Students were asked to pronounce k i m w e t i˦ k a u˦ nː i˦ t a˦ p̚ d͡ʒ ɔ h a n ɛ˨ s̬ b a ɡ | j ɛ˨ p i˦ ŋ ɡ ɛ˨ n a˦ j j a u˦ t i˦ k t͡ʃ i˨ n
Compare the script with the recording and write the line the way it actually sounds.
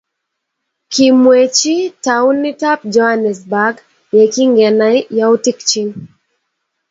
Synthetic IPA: k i m w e t͡ʃ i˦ t a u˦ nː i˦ t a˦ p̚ d͡ʒ ɔ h a n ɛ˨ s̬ b a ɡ | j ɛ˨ k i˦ ŋ ɡ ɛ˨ n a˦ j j a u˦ t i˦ k t͡ʃ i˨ n

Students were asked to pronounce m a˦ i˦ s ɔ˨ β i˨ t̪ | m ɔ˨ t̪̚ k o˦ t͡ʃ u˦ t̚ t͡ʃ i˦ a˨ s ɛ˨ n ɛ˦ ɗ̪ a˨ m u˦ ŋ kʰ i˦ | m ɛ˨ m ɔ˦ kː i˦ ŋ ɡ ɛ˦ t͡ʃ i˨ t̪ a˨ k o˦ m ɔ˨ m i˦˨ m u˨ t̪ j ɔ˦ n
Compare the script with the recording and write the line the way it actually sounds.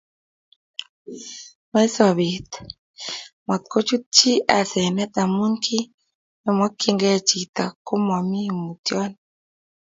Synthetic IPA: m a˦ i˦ s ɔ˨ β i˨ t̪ | m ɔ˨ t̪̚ k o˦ t͡ʃ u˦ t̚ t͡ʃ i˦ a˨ s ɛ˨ n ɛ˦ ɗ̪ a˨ m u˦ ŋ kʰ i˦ | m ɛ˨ m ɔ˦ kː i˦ ŋ ɡ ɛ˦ t͡ʃ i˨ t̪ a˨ k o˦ m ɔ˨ m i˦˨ m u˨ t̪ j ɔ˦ n

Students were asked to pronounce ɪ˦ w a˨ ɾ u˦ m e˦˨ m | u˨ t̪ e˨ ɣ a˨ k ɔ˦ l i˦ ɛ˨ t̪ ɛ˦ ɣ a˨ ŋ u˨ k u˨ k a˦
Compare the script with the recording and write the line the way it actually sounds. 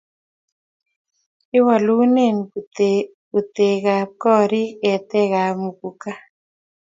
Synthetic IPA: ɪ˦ w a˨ l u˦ n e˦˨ n | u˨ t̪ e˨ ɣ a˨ k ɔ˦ ɾ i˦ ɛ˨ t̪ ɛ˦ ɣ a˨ m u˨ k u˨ k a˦

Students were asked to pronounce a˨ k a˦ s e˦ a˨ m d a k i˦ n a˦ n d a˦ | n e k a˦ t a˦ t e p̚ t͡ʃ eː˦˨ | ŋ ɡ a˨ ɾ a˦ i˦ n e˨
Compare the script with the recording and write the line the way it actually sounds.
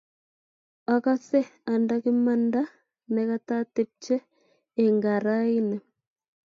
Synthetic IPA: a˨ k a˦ s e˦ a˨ n d a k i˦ m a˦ n d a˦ | n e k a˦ t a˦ t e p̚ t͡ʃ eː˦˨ | ŋ ɡ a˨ ɾ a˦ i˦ n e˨

